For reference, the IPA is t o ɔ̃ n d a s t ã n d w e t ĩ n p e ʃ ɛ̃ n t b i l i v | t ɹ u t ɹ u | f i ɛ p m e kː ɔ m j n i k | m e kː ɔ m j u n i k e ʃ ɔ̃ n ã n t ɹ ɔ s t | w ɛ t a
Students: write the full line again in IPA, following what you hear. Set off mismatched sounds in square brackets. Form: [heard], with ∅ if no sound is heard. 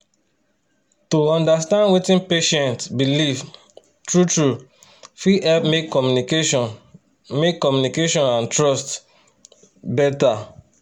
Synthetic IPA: t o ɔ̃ n d a s t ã n d w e t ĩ n p e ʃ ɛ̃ n t b i l i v | t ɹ u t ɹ u | f i ɛ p m e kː ɔ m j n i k | m e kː ɔ m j u n i k e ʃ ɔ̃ n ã n t ɹ ɔ s t | [b] ɛ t a